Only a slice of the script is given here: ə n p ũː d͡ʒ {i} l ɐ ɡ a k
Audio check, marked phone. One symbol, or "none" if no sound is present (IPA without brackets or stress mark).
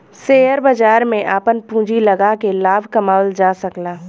i